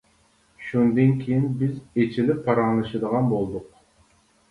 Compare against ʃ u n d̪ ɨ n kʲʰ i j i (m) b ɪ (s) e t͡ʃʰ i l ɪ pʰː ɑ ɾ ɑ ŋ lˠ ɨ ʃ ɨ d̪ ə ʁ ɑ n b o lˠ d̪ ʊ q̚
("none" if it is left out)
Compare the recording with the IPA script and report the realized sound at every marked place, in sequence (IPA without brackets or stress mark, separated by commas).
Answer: n, z